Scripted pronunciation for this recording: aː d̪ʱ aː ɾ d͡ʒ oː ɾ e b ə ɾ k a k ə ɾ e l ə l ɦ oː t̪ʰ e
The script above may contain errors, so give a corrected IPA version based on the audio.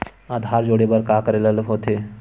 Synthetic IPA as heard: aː d̪ʱ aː ɾ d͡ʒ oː ɽ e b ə ɾ k a k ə ɾ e l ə l ɦ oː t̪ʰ e

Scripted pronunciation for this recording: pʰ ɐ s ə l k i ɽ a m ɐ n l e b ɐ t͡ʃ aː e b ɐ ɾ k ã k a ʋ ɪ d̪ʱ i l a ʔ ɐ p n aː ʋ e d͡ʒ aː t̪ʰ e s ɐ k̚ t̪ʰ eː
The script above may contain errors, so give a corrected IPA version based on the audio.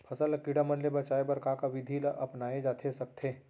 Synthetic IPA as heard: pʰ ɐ s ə l k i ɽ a m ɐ n l e b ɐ t͡ʃ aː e b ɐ ɾ k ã k a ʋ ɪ d̪ʱ i l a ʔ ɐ p n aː e d͡ʒ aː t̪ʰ e s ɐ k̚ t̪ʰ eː

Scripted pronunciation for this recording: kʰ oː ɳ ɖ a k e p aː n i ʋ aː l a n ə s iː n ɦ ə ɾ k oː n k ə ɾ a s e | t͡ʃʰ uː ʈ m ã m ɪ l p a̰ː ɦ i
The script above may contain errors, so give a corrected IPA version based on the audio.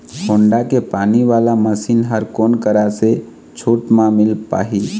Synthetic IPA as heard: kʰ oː ɳ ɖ a k e p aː n i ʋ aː l a m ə s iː n ɦ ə ɾ k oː n k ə ɾ a s e | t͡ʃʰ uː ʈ m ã m ɪ l p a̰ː ɦ i

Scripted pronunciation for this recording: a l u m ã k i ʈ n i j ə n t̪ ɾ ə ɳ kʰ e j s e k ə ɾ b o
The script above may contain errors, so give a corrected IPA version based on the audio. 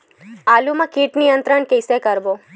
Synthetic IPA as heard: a l u m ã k i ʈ n i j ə n t̪ ɾ ə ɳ k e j s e k ə ɾ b o

